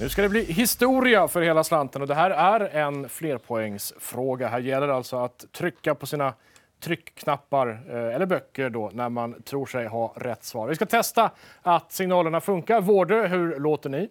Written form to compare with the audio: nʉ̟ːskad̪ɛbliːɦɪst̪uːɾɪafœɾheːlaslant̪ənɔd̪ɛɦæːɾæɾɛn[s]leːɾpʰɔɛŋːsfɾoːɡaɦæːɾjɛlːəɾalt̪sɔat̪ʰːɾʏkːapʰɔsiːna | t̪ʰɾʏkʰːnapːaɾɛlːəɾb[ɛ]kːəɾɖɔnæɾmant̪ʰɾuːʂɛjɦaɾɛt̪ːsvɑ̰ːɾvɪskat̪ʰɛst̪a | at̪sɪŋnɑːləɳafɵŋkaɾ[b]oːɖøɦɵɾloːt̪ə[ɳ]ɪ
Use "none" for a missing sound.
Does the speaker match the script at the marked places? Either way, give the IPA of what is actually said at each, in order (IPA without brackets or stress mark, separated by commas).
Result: f, œ, v, ɳ